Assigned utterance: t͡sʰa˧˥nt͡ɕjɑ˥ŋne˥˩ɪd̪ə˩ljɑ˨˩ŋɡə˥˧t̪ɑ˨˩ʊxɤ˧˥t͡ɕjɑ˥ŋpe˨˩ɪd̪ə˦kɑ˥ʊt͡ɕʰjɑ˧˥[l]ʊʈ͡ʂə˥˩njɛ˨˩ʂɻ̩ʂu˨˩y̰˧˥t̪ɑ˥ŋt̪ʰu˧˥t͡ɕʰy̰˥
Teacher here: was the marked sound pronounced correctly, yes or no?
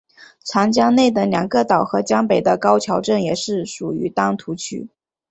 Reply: no